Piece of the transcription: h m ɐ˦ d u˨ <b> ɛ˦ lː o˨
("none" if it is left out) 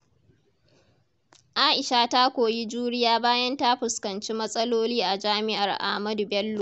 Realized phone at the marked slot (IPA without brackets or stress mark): b